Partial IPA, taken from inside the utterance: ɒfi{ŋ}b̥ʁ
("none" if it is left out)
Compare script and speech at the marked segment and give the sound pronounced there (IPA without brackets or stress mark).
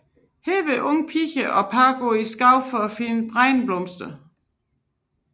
n